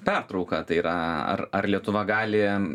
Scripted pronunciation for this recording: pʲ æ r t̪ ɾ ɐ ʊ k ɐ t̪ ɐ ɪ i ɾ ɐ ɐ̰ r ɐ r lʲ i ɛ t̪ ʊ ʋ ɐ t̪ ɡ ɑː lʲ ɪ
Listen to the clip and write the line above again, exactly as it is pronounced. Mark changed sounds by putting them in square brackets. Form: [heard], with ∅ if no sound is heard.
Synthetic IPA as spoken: pʲ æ r t̪ ɾ ɐ ʊ k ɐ t̪ ɐ ɪ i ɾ ɐ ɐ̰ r ɐ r lʲ i ɛ t̪ ʊ ʋ ɐ [∅] ɡ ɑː lʲ ɪ